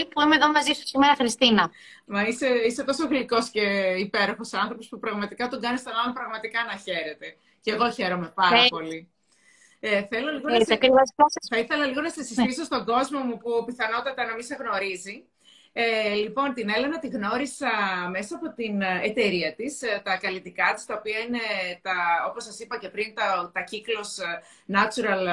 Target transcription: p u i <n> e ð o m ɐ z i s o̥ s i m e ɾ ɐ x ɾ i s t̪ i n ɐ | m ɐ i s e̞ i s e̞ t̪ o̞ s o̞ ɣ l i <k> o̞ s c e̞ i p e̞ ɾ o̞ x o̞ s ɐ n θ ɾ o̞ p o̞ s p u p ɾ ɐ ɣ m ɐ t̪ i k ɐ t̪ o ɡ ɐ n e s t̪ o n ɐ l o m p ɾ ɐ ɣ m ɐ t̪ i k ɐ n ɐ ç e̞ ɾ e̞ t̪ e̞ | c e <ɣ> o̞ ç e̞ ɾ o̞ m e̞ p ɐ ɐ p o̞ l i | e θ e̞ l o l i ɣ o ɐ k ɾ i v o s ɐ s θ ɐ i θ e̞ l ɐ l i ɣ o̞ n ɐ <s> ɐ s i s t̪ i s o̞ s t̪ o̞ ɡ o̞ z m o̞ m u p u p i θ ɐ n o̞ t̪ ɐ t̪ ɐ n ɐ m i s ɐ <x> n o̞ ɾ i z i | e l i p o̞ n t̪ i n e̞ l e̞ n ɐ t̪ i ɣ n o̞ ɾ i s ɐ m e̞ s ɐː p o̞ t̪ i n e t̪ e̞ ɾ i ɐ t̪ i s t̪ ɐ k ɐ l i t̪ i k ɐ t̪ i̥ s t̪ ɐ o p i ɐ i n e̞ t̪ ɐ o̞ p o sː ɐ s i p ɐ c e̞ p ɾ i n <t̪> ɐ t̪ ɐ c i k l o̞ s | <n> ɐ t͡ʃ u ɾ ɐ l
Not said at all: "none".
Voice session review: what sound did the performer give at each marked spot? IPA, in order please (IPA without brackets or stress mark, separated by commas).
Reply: m, k, ɣ, s, ɣ, t̪, n